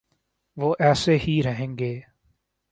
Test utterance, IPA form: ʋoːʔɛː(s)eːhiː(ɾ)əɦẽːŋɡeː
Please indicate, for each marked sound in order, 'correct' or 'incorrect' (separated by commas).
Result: correct, correct